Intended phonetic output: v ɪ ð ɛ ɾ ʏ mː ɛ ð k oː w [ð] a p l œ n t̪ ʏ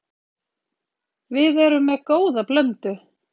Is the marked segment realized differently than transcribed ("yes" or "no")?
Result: no